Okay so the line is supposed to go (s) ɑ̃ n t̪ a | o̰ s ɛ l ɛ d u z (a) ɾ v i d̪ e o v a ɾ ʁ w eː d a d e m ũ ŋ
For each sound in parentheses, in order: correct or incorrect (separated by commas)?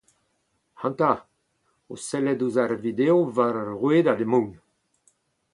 incorrect, correct